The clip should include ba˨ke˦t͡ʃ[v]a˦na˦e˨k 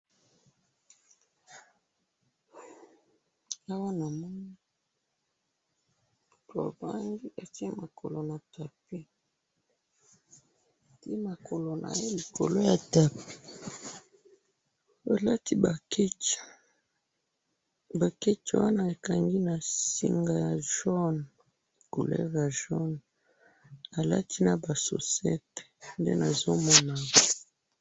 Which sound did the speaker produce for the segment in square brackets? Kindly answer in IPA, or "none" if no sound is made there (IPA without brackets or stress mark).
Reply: w